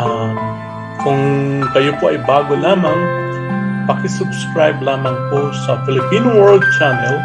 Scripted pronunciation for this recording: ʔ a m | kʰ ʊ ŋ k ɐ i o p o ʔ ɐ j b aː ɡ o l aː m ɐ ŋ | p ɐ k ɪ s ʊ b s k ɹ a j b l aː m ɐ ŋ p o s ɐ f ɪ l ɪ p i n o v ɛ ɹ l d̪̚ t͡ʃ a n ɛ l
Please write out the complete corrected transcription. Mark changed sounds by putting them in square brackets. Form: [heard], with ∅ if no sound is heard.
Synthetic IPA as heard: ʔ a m | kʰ ʊ ŋ k ɐ [j] o p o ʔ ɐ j b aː ɡ o l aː m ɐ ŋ | p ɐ k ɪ s ʊ b s k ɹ a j b l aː m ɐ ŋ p o s ɐ f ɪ l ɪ p i n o [w] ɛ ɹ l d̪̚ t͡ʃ a n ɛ l